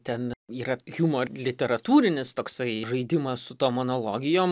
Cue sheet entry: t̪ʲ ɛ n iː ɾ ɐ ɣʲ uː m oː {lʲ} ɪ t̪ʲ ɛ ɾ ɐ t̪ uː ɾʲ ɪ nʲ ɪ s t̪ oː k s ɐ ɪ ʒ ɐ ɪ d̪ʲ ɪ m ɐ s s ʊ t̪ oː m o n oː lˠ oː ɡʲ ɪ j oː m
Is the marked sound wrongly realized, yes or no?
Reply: no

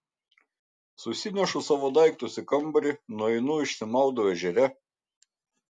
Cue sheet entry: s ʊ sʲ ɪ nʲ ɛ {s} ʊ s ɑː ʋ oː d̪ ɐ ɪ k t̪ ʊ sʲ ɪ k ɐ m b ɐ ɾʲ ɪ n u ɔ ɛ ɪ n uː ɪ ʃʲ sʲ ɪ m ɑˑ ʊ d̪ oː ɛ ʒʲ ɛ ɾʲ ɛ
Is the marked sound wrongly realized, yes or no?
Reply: yes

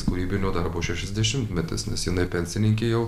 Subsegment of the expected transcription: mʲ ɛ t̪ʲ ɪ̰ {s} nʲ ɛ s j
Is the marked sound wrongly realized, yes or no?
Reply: no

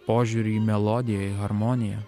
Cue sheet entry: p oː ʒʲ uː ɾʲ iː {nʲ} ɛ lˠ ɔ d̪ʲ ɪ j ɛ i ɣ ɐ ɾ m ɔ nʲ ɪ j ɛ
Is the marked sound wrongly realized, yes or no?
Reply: yes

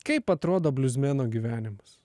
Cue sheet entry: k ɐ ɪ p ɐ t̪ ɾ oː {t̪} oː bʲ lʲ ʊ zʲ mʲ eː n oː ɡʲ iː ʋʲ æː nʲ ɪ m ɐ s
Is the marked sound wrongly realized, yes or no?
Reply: yes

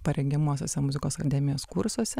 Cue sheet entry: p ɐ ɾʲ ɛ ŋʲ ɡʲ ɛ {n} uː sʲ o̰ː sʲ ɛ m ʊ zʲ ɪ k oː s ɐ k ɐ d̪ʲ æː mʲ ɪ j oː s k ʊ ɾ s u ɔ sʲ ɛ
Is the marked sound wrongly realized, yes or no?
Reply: yes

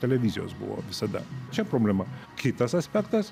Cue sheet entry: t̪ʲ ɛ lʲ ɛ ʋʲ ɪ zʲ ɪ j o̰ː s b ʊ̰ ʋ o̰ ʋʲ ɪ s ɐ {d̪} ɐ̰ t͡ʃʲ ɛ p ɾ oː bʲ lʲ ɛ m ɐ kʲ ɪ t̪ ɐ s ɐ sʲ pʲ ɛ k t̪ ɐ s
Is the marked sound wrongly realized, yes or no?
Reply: no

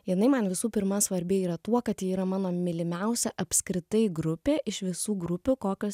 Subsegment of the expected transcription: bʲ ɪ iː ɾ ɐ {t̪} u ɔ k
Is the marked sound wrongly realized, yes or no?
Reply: no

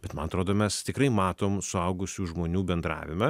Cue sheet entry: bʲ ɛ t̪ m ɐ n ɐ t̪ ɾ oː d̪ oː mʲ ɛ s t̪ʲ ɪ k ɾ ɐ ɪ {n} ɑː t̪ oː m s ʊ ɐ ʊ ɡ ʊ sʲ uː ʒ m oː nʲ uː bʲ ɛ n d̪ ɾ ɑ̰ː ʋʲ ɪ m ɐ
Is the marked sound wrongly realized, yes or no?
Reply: yes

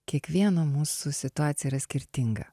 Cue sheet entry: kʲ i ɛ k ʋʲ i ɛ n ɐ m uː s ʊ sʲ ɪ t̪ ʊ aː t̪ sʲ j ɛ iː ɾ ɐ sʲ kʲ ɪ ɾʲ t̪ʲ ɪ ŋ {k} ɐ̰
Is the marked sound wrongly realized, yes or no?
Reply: yes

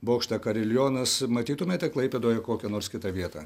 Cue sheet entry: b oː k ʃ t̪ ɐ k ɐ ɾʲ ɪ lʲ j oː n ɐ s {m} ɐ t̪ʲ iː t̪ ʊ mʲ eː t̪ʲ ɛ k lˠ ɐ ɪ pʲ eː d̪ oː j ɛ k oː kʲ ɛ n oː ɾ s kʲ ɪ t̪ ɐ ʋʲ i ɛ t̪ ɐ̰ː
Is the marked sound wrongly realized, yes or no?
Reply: no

